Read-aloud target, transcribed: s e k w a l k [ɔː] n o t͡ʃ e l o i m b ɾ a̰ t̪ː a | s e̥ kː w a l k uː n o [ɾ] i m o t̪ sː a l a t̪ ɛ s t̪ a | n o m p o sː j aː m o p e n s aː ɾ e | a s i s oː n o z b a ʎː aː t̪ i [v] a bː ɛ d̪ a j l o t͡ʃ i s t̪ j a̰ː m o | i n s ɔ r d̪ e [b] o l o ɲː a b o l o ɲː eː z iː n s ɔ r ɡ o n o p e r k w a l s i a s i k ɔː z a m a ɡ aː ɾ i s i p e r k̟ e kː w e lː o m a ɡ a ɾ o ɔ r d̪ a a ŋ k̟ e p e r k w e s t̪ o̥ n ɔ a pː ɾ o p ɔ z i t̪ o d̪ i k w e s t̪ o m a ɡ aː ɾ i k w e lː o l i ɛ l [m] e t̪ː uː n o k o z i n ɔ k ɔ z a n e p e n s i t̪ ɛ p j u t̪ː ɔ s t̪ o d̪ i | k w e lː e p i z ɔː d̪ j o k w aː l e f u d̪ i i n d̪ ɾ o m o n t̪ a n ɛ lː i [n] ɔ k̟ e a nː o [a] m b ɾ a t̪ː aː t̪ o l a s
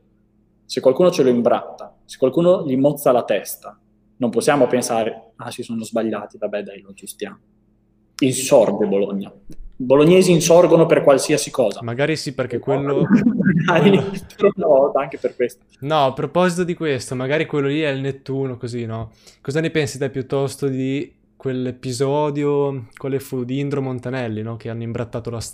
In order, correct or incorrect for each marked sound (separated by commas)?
incorrect, incorrect, correct, correct, incorrect, correct, incorrect